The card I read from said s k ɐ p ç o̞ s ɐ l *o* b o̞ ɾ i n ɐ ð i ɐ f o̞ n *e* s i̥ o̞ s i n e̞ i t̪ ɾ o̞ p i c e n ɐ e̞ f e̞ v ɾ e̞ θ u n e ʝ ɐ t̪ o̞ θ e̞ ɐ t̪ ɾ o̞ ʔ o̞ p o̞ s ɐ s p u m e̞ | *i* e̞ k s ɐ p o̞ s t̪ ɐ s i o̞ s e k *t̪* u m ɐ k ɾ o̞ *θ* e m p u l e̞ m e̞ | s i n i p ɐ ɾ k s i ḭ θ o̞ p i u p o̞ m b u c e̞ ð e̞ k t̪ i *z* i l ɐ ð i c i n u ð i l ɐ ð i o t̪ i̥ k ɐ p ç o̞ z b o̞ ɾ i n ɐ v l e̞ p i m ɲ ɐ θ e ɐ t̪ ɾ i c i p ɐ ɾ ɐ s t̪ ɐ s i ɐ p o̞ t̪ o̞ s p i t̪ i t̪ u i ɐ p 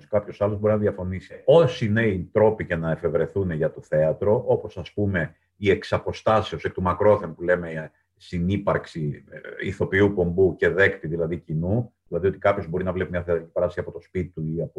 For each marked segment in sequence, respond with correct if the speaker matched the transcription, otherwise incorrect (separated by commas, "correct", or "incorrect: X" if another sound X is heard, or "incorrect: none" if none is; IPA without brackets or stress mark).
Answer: correct, incorrect: i, correct, correct, correct, incorrect: ð